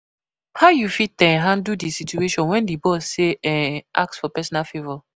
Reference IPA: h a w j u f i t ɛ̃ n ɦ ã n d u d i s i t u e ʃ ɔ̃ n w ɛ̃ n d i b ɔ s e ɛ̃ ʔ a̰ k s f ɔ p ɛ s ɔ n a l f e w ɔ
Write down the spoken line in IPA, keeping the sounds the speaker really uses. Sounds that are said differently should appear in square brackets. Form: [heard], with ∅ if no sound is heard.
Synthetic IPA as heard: h a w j u f i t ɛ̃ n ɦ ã n d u d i s i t u e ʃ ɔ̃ n w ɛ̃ n d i b ɔ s e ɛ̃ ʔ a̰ k s f ɔ p ɛ s ɔ n a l f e [v] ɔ